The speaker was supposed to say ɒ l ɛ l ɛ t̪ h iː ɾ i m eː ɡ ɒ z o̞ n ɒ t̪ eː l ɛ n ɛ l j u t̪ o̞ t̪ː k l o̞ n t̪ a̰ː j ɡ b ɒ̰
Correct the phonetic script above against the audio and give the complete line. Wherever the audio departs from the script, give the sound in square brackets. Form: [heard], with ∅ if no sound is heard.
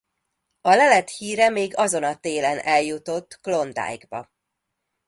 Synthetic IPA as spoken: ɒ l ɛ l ɛ t̪ h iː ɾ [ɛ] m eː ɡ ɒ z o̞ n ɒ t̪ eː l ɛ n ɛ l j u t̪ o̞ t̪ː k l o̞ n [d̪] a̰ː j ɡ b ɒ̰

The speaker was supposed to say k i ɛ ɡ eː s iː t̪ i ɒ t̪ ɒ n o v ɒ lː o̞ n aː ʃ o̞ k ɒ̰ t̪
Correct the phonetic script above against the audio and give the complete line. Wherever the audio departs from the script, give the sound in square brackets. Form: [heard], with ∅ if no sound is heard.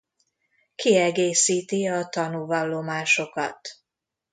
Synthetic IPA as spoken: k i ɛ ɡ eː s iː t̪ i ɒ t̪ ɒ n [u] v ɒ lː o̞ [m] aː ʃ o̞ k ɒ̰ t̪

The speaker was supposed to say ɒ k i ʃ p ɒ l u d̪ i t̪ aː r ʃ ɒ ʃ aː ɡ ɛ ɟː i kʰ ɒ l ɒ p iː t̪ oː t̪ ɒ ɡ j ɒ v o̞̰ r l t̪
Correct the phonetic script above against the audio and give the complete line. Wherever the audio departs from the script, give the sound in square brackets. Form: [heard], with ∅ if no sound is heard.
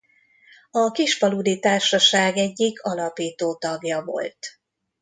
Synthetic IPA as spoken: ɒ k i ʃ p ɒ l u d̪ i t̪ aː r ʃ ɒ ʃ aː ɡ ɛ ɟː i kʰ ɒ l ɒ p iː t̪ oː t̪ ɒ ɡ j ɒ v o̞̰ [∅] l t̪

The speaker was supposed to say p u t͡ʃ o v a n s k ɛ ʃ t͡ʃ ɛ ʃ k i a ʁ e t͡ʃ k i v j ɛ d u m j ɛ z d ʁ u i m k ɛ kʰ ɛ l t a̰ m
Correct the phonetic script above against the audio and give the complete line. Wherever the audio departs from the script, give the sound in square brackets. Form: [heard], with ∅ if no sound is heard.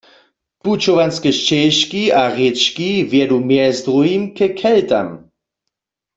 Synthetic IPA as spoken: p u t͡ʃ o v a n s k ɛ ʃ t͡ʃ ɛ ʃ k i a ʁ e t͡ʃ k i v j ɛ d u m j ɛ z d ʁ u i m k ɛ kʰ ɛ l t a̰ m

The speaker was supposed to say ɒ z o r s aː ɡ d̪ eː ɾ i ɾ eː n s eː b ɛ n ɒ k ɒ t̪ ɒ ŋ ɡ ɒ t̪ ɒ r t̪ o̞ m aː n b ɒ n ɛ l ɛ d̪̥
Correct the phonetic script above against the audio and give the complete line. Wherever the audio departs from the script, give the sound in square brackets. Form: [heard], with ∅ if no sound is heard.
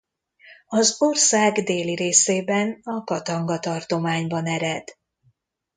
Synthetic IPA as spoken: ɒ z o r s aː ɡ d̪ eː [l] i ɾ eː [∅] s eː b ɛ n ɒ k ɒ t̪ ɒ ŋ ɡ ɒ t̪ ɒ r t̪ o̞ m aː [ɲ] b ɒ n ɛ [ɾ] ɛ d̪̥

